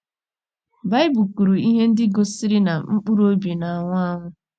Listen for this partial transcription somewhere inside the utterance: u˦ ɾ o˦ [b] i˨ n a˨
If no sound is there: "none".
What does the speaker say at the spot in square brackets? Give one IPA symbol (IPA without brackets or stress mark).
b